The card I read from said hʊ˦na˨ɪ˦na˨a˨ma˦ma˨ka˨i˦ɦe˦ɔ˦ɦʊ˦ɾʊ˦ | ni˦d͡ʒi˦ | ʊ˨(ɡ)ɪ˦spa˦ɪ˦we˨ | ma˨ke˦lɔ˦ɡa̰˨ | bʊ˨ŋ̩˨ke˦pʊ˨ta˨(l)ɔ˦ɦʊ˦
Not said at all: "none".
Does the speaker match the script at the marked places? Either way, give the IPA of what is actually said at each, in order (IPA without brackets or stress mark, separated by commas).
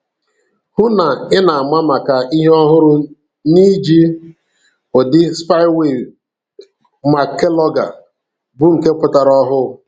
d, ɾ